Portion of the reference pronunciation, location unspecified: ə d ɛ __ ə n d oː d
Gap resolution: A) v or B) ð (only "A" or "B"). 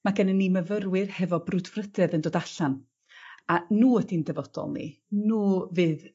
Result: B